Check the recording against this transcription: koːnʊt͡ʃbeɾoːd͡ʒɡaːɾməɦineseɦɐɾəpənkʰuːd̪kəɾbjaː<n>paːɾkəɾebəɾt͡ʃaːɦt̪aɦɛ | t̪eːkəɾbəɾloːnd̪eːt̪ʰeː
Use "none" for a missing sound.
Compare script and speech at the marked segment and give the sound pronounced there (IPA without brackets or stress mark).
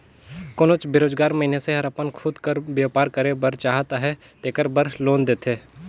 none